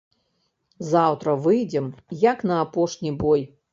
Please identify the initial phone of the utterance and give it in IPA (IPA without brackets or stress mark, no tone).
z